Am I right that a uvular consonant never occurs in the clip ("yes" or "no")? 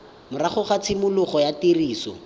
no